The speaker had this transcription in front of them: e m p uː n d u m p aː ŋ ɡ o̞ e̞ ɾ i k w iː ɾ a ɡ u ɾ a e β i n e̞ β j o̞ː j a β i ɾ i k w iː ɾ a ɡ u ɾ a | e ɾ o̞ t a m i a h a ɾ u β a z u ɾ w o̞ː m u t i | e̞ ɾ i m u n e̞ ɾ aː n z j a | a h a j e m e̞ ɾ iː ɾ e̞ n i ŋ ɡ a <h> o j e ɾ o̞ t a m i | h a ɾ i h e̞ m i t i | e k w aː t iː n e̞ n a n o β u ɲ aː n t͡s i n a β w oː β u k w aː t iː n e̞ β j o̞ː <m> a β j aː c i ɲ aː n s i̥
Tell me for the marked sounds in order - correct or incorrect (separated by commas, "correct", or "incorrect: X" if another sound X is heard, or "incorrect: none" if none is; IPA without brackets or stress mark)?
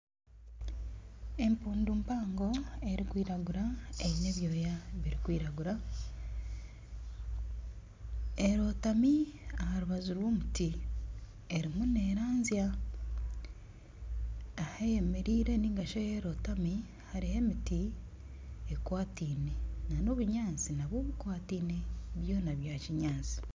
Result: incorrect: ʃ, incorrect: n